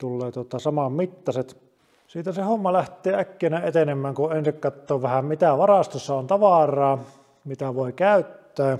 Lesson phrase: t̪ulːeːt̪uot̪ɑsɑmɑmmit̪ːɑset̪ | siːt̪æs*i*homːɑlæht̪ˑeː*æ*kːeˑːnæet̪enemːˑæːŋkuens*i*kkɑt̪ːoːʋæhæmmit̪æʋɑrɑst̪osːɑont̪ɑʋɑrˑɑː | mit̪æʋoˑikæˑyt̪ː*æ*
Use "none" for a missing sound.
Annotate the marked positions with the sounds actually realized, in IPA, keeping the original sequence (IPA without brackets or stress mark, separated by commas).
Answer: e, æ, i, æː